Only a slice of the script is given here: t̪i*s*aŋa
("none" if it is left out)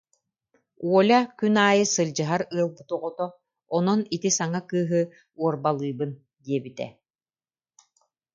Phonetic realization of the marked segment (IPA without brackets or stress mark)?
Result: s